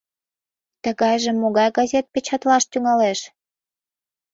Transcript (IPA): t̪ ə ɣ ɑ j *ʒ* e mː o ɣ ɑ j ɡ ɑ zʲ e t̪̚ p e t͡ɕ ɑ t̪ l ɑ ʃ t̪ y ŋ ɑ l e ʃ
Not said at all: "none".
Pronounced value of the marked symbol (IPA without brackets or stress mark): ʒ